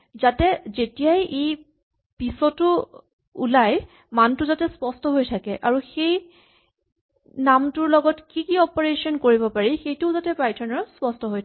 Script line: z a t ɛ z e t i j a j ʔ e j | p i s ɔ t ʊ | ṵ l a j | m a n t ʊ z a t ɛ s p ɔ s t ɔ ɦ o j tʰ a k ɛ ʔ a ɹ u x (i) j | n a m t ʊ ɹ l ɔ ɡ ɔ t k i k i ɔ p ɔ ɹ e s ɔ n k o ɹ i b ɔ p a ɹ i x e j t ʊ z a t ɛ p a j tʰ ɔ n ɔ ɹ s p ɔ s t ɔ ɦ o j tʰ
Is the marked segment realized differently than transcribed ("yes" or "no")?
yes